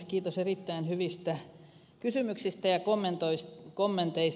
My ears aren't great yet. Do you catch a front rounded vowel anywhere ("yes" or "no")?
yes